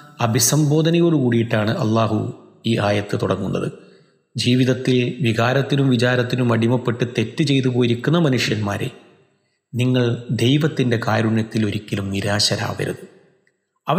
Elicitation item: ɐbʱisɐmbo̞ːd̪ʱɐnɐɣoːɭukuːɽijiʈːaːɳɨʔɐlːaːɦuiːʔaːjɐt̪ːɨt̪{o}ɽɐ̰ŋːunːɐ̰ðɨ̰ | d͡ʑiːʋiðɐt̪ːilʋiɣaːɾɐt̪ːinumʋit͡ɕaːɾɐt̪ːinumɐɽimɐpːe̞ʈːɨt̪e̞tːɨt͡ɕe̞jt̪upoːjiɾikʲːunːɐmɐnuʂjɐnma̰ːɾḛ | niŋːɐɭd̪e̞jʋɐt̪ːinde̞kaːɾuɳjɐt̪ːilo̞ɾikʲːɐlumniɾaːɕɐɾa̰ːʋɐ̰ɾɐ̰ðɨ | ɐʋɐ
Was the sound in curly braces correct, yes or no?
no